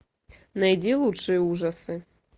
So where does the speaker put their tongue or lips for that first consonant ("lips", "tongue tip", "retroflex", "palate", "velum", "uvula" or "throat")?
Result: tongue tip